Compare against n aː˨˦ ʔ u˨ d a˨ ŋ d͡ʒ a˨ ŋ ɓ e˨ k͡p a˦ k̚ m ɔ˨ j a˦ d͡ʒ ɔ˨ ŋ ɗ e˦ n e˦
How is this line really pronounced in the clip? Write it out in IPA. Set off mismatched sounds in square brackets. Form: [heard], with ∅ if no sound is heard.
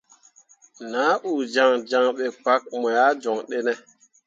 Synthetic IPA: n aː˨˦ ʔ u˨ [d͡ʒ] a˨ ŋ d͡ʒ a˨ ŋ ɓ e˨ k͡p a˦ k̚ m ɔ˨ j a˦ d͡ʒ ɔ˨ ŋ ɗ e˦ n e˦

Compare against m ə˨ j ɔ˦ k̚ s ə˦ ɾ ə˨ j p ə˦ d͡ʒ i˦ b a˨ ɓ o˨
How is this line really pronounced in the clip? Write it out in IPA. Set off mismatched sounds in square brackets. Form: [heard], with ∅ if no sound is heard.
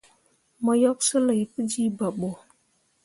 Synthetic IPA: m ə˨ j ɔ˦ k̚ s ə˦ [l] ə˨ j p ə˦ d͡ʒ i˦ b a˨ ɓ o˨

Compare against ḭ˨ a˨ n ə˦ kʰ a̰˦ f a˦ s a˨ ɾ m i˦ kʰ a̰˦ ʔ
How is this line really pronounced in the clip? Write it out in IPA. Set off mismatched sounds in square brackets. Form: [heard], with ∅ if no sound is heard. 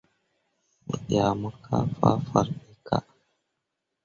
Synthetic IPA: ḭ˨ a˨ [m] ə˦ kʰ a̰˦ f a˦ [f] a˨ ɾ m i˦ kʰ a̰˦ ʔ

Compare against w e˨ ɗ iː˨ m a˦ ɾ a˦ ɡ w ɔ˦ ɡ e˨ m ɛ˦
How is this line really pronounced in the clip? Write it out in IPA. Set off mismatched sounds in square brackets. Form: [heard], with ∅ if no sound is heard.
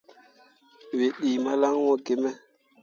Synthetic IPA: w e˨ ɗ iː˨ m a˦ [l] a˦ [ŋ] w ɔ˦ ɡ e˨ m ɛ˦

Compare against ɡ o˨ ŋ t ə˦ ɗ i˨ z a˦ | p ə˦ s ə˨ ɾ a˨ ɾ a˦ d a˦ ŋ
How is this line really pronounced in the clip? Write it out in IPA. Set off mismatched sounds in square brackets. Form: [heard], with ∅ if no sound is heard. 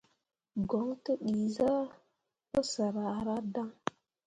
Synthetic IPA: ɡ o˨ ŋ t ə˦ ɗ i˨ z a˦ | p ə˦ s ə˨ ɾ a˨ ɾ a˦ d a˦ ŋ

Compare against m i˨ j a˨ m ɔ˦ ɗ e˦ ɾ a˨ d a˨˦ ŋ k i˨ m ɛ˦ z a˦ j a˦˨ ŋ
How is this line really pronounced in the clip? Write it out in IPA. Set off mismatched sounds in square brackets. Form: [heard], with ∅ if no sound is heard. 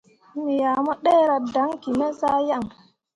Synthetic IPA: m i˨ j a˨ m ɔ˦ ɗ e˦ ɾ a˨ d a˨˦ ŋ k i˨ m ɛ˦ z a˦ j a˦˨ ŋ

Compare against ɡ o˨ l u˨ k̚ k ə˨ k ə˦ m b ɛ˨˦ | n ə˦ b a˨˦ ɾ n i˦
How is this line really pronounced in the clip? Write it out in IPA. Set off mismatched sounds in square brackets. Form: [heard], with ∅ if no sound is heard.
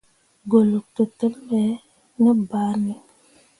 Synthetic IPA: ɡ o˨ l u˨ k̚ [t] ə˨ [t] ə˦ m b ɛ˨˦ | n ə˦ b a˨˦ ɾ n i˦

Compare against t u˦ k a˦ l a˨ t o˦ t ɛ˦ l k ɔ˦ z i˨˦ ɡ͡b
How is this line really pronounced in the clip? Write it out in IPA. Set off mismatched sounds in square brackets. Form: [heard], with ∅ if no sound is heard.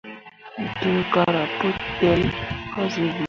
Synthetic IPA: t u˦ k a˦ [ɾ] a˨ [p] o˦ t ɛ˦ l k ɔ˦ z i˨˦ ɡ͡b

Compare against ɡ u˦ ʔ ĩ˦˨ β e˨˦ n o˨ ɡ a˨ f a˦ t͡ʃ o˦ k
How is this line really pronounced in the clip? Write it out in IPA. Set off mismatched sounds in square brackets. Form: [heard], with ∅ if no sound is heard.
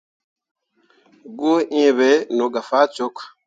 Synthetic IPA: ɡ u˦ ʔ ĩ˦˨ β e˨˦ n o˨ ɡ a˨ f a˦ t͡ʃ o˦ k

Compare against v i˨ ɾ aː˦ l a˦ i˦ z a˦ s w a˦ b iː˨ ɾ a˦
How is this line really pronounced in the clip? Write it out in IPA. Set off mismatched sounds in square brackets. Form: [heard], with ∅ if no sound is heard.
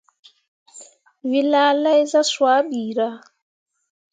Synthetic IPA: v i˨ [l] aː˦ l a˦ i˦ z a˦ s w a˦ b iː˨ ɾ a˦

